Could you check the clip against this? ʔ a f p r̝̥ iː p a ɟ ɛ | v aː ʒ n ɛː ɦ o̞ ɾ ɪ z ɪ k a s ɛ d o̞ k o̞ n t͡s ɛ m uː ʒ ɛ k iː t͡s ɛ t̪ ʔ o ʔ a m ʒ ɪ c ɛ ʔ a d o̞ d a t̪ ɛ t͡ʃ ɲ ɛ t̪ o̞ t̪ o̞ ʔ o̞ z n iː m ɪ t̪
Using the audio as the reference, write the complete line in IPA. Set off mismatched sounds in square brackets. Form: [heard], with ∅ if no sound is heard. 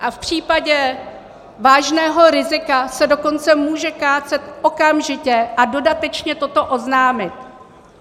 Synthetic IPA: ʔ a f p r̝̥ iː p a ɟ ɛ | v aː ʒ n ɛː ɦ o̞ ɾ ɪ z ɪ k a s ɛ d o̞ k o̞ n t͡s ɛ m uː ʒ ɛ k [aː] t͡s ɛ t̪ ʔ o [k] a m ʒ ɪ c ɛ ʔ a d o̞ d a t̪ ɛ t͡ʃ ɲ ɛ t̪ o̞ t̪ o̞ ʔ o̞ z n [aː] m ɪ t̪